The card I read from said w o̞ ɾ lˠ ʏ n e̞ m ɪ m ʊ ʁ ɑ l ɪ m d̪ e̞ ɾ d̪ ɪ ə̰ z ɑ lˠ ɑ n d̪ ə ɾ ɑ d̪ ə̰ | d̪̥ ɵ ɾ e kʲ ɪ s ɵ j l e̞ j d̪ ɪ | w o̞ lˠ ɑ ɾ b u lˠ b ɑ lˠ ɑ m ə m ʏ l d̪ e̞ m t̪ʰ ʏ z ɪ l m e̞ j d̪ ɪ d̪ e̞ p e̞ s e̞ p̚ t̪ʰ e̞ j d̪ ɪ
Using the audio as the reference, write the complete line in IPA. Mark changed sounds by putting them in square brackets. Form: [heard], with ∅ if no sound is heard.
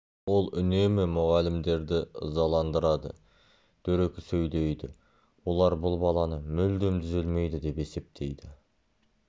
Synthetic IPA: w o̞ [∅] lˠ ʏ n e̞ m ɪ m ʊ ʁ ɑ l ɪ m d̪ e̞ ɾ d̪ ɪ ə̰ z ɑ lˠ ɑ n d̪ ə ɾ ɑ d̪ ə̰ | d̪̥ ɵ ɾ e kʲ ɪ s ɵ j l e̞ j d̪ ɪ | w o̞ lˠ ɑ ɾ b [ʊ] lˠ b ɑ lˠ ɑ [n] ə m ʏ l d̪ e̞ m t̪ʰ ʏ z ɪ l m e̞ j d̪ ɪ d̪ e̞ p e̞ s e̞ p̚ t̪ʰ e̞ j d̪ ɪ